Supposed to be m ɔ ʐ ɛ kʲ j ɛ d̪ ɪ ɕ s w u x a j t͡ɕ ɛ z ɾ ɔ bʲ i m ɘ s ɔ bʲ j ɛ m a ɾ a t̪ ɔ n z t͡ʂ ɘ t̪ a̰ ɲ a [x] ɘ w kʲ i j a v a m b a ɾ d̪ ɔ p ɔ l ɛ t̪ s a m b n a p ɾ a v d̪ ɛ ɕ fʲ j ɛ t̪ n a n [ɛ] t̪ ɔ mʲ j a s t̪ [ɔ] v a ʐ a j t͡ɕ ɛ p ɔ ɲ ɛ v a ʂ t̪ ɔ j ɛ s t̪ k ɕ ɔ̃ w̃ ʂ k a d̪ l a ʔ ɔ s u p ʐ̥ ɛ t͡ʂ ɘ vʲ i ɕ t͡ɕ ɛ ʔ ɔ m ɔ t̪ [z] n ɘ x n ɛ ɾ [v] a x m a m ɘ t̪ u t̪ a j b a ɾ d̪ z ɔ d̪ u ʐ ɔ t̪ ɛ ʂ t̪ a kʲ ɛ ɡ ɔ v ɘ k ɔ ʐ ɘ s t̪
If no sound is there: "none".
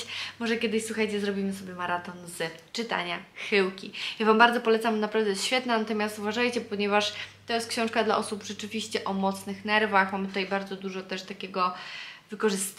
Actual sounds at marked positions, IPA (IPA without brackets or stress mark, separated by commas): x, a, u, s, v